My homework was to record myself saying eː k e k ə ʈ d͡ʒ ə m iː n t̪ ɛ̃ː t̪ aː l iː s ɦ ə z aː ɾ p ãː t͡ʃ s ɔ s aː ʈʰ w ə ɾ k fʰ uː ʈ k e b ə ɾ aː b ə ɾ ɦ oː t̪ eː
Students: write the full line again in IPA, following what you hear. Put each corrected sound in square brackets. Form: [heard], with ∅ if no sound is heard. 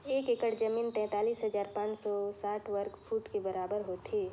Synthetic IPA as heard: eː k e k ə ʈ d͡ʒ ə m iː n t̪ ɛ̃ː t̪ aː l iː s ɦ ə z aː ɾ p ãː t͡ʃ s ɔ s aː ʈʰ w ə ɾ k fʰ uː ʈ k e b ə ɾ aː b ə ɾ ɦ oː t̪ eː